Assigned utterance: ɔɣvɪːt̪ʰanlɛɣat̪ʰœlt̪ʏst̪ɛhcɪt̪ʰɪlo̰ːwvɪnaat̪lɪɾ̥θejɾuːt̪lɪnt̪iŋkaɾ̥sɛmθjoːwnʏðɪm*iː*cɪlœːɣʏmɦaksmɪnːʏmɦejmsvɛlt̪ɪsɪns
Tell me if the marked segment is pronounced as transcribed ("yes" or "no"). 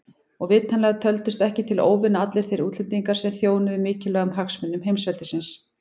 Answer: no